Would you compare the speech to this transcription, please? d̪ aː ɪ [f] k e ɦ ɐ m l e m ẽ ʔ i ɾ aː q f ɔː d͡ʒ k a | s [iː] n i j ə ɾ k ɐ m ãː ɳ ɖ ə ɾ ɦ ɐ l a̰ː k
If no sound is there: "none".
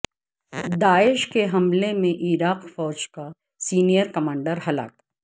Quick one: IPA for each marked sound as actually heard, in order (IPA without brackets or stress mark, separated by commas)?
ʃ, iː